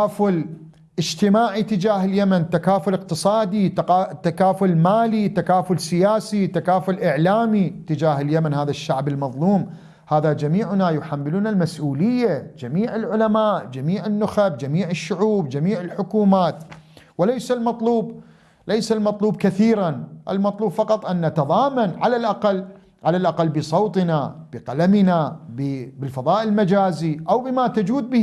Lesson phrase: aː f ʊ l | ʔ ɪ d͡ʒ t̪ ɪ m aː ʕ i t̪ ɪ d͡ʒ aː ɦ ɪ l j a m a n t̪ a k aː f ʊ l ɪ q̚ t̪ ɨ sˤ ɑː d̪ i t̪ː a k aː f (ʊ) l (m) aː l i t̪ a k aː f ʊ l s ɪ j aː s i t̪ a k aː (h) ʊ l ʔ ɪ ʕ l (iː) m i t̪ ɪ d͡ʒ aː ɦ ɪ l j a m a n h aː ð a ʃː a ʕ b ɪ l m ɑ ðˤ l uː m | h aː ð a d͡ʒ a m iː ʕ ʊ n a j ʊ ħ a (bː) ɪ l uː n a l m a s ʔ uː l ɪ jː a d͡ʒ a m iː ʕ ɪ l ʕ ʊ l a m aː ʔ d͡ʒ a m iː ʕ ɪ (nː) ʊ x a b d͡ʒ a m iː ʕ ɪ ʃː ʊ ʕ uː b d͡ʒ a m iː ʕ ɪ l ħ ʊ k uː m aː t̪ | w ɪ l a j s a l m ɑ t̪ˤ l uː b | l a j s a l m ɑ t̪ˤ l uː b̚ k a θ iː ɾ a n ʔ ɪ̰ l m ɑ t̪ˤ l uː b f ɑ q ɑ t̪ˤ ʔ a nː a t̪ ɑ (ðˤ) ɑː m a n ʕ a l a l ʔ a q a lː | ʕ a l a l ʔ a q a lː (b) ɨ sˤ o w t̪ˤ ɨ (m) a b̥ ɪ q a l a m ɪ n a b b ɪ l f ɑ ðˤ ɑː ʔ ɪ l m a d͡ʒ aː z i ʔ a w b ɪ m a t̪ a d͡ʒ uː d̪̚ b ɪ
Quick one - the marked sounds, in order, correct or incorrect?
correct, correct, incorrect: f, incorrect: aː, incorrect: mː, correct, correct, correct, incorrect: n

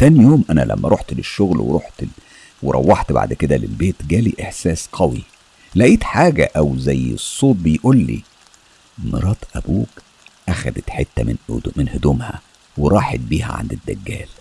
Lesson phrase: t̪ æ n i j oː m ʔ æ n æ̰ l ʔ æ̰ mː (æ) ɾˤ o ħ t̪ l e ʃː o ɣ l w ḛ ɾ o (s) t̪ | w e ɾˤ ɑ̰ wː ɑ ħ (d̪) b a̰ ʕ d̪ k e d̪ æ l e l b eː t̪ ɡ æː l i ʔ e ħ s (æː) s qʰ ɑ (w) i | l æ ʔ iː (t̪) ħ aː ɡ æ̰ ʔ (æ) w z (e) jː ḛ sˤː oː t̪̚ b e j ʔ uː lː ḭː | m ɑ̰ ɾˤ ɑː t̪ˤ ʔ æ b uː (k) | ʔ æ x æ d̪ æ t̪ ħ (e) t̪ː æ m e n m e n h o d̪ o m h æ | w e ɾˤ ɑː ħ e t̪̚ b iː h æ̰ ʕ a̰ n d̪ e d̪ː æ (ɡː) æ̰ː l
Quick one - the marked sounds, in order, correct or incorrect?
correct, incorrect: ħ, incorrect: t̪, correct, correct, correct, correct, incorrect: æ, correct, correct, correct

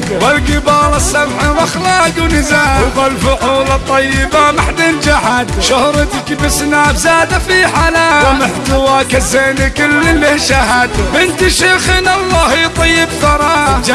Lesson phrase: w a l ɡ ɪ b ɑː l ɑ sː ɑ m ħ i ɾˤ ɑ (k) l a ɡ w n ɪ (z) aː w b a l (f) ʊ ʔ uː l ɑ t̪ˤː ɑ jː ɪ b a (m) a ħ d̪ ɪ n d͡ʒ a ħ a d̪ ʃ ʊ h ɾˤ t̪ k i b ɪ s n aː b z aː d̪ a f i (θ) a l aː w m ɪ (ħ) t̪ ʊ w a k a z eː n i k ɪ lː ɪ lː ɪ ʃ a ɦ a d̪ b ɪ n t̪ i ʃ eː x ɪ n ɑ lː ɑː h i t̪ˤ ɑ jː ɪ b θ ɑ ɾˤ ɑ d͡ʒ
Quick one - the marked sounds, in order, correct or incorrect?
incorrect: x, correct, correct, correct, incorrect: ħ, correct

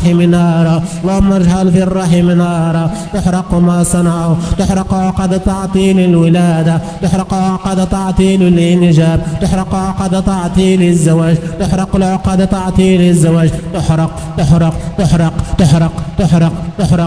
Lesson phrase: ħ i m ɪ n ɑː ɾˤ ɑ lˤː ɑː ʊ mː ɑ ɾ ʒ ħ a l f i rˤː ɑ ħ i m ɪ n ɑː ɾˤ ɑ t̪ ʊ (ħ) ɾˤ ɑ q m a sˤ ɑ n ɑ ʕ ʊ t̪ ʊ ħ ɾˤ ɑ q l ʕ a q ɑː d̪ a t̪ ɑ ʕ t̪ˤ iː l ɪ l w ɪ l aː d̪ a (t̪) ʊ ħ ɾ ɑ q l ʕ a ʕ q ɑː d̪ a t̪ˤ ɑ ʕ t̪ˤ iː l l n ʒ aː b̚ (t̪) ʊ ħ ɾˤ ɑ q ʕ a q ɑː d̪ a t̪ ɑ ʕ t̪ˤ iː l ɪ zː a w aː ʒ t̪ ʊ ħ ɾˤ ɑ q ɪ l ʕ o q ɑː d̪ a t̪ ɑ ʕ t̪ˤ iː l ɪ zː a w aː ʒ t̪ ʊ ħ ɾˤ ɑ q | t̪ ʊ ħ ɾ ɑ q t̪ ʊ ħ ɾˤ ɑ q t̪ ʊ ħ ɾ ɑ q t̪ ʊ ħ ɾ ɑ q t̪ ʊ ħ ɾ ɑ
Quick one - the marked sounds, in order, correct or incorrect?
correct, correct, correct

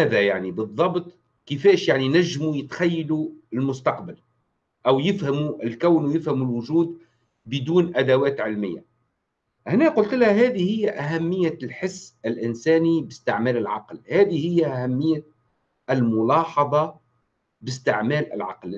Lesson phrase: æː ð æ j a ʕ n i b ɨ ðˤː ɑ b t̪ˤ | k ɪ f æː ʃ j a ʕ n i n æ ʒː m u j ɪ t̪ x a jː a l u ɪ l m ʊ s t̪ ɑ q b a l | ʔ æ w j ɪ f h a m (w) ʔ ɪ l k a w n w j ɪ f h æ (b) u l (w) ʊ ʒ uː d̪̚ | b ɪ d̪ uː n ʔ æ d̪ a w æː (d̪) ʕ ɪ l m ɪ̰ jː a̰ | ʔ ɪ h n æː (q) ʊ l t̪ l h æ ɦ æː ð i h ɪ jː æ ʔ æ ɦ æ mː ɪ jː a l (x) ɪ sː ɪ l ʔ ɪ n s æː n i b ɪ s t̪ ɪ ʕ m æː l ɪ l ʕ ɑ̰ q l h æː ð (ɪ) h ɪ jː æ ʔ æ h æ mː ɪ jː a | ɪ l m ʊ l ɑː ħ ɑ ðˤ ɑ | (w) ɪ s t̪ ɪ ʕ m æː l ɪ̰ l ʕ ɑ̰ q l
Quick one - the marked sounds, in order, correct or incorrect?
incorrect: u, incorrect: m, correct, incorrect: t̪, correct, incorrect: ħ, incorrect: i, incorrect: b

